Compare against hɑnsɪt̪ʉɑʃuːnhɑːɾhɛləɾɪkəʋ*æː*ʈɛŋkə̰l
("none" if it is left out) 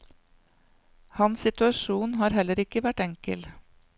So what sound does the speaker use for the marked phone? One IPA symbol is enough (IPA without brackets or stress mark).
æ